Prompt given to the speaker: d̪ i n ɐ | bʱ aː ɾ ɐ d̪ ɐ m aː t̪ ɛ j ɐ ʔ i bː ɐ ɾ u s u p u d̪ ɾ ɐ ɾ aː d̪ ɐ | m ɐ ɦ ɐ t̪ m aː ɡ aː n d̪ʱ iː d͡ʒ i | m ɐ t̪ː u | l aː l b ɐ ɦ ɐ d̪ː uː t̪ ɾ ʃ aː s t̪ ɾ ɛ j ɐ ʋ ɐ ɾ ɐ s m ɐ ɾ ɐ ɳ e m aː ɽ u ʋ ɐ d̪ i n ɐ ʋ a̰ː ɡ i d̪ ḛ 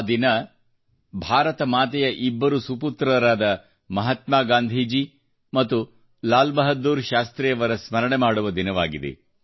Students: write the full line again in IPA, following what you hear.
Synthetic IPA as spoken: d̪ i n ɐ | bʱ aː ɾ ɐ t̪ ɐ m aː t̪ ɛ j ɐ ʔ i bː ɐ ɾ u s u p u t̪ ɾ ɐ ɾ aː d̪ ɐ | m ɐ ɦ ɐ t̪ m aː ɡ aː n d̪ʱ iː d͡ʒ i | m ɐ t̪ː u | l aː l b ɐ ɦ ɐ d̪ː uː ɾ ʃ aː s t̪ ɾ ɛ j ɐ ʋ ɐ ɾ ɐ s m ɐ ɾ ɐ ɳ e m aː ɽ u ʋ ɐ d̪ i n ɐ ʋ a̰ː ɡ i d̪ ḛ